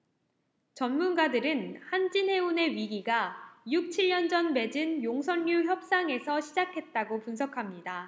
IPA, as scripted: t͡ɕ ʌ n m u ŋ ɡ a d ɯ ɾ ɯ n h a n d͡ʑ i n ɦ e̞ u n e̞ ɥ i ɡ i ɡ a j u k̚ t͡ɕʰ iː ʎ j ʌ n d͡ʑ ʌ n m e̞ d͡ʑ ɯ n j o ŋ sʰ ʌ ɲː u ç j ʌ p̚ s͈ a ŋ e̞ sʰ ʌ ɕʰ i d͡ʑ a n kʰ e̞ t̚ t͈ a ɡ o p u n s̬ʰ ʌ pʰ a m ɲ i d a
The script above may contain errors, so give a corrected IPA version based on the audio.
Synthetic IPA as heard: t͡ɕ ʌ n m u n ɡ a d ɯ ɾ ɯ n h a n d͡ʑ i n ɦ e̞ u n e̞ ɥ i ɡ i ɡ a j u k̚ t͡ɕʰ i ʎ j ʌ n d͡ʑ ʌ n m e̞ d͡ʑ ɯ n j o ŋ sʰ ʌ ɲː u ç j ʌ p̚ s͈ a ŋ e̞ sʰ ʌ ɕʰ i d͡ʑ a kʰ e̞ t̚ t͈ a ɡ o p u n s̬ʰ ʌ kʰ a m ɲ i d a